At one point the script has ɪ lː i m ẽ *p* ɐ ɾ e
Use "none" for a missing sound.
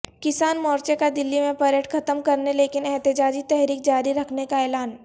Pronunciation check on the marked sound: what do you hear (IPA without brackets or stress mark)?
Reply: p